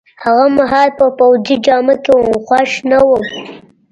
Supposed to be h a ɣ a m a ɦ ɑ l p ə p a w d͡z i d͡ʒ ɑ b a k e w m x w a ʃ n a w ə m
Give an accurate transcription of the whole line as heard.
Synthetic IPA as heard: h a ɣ a m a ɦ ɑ l p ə p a w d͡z i d͡ʒ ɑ m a k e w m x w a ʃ n a w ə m